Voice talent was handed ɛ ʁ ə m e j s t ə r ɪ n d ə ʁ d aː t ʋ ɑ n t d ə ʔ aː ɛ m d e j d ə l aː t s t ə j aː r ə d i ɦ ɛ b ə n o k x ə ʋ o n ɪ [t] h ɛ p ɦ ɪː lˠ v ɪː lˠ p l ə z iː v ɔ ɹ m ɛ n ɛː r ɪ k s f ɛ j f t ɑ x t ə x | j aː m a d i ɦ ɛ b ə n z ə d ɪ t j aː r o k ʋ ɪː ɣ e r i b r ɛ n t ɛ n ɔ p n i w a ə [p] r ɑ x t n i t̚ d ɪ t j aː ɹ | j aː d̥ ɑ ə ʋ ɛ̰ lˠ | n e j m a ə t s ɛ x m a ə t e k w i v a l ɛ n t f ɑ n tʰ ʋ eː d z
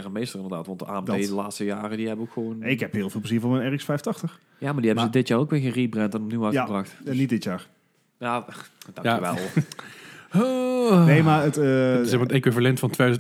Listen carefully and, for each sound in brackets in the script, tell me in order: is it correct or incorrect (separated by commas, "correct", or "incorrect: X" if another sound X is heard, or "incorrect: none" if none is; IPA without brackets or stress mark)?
incorrect: k, incorrect: b